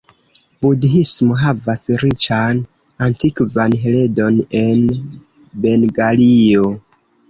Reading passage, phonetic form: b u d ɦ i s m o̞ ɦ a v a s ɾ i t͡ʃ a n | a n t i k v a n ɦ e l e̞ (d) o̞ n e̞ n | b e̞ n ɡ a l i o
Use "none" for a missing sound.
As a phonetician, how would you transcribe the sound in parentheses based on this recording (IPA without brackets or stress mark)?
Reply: d